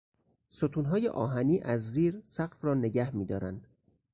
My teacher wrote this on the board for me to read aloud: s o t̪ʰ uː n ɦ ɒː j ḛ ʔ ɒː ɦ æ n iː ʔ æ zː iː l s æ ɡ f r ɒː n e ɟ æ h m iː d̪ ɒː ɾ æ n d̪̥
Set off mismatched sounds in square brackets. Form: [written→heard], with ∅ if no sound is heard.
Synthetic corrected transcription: s o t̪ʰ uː n ɦ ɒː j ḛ ʔ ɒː ɦ æ n iː ʔ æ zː iː [l→ɾ] s æ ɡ f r ɒː n e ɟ æ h m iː d̪ ɒː ɾ æ n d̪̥